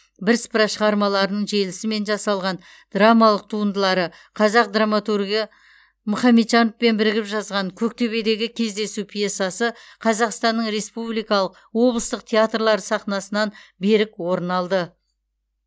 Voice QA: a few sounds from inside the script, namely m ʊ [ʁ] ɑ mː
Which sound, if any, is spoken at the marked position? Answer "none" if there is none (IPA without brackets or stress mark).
χ